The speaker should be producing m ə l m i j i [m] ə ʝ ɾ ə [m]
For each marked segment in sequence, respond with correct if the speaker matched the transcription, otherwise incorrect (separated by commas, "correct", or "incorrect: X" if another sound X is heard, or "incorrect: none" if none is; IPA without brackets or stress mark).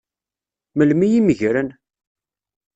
correct, incorrect: n